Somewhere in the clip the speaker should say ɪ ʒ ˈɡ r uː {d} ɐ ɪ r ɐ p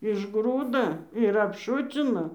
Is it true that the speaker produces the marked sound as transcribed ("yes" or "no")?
yes